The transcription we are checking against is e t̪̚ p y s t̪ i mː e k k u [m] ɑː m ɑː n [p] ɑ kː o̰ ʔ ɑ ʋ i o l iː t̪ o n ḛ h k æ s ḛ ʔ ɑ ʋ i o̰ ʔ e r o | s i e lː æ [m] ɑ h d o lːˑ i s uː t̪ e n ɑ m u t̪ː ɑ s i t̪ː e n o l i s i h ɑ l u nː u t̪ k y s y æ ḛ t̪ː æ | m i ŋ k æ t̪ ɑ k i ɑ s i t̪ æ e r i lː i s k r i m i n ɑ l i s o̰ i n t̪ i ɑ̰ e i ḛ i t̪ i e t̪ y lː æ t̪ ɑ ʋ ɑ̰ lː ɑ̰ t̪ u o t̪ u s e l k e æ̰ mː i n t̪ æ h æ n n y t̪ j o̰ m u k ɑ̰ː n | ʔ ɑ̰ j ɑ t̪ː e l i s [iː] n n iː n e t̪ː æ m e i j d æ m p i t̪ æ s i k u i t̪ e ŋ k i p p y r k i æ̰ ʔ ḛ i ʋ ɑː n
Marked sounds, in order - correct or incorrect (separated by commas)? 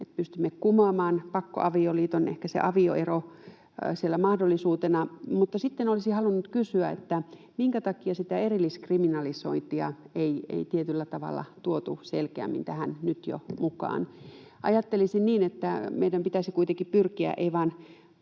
correct, correct, correct, incorrect